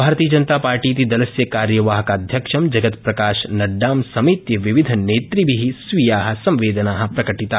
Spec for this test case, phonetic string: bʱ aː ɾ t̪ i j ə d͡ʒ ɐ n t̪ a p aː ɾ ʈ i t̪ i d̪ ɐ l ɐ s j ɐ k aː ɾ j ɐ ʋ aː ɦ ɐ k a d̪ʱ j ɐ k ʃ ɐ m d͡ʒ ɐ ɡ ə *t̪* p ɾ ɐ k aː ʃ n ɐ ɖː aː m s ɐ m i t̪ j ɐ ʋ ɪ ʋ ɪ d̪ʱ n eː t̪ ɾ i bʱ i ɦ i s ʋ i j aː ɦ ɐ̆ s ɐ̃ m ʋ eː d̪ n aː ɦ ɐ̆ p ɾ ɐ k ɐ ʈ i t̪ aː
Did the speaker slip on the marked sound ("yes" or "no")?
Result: no